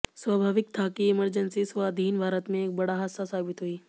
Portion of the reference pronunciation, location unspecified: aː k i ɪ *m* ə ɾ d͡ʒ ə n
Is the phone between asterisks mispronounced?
no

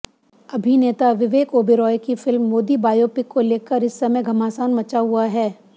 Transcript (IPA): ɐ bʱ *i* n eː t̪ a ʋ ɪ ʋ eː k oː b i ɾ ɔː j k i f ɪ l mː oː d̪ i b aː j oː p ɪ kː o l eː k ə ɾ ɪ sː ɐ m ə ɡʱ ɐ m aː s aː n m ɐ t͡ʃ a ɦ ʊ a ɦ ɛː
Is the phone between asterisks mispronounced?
no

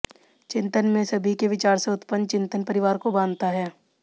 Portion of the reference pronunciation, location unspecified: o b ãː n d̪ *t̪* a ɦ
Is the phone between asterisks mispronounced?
no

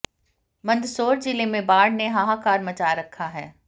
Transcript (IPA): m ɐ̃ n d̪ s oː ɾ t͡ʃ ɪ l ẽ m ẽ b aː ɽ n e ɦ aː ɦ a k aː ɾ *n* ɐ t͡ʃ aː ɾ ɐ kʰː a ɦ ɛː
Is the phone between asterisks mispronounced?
yes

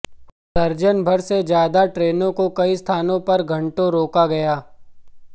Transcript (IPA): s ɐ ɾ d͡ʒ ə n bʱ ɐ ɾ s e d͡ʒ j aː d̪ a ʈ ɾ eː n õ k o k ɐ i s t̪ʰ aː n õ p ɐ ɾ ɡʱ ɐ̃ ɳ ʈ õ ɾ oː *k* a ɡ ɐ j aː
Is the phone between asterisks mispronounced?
no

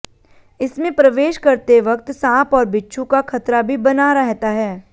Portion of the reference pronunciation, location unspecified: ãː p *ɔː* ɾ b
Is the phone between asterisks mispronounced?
no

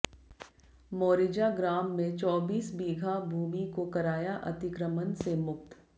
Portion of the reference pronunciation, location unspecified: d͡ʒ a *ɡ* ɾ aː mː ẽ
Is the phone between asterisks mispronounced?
no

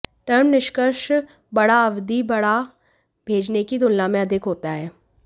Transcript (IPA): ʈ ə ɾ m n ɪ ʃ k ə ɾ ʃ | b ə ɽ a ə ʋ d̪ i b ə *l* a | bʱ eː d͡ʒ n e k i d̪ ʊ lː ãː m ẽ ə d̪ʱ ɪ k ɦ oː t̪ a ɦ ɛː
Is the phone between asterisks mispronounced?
yes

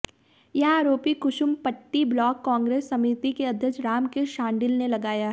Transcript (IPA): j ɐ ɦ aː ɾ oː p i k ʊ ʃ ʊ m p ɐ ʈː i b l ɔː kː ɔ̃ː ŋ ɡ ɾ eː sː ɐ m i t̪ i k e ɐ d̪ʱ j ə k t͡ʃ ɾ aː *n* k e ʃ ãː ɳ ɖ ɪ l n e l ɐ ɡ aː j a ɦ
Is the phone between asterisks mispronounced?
yes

